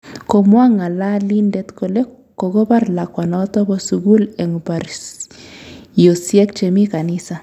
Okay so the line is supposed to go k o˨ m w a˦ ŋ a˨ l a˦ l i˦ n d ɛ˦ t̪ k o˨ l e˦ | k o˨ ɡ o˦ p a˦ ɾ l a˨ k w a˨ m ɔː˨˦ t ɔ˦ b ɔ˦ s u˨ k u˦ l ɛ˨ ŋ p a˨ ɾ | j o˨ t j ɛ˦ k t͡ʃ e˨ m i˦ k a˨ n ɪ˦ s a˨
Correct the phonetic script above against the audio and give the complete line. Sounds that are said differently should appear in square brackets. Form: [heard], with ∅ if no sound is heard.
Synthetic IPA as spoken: k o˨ m w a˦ ŋ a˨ l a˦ l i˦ n d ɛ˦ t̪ k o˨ l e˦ | k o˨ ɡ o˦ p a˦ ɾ l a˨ k w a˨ [n] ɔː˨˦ t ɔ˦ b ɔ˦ s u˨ [ɡ] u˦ l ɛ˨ ŋ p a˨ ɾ | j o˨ [s] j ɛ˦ k t͡ʃ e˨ m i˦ k a˨ n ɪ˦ s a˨